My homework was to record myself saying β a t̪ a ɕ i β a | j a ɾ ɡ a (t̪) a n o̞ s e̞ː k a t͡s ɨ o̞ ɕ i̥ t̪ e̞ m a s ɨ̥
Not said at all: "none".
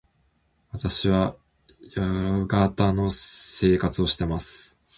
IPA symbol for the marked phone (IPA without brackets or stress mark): t̪